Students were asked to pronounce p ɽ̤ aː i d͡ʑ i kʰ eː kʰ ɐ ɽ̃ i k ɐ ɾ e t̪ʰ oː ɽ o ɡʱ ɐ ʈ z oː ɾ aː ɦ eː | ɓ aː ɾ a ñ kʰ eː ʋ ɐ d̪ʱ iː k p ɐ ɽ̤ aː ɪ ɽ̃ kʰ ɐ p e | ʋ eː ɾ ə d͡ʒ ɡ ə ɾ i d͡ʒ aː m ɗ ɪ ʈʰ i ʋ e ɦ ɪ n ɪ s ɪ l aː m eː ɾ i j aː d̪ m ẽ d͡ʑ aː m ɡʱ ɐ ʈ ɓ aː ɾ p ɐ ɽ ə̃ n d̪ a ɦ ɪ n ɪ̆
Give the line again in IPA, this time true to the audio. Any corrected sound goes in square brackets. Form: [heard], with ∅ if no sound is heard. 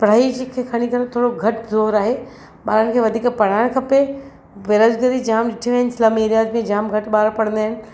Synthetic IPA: p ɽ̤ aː i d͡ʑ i kʰ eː kʰ ɐ ɽ̃ i k ɐ ɾ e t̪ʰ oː ɽ o ɡʱ ɐ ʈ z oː ɾ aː ɦ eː | ɓ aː ɾ [ə] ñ kʰ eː ʋ ɐ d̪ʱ iː k p ɐ ɽ̤ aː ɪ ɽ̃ kʰ ɐ p e | ʋ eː ɾ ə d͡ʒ ɡ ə ɾ i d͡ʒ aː m ɗ ɪ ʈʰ i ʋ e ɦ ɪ n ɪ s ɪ l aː m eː ɾ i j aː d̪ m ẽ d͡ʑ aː m ɡʱ ɐ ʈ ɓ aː ɾ p ɐ ɽ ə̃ n d̪ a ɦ ɪ n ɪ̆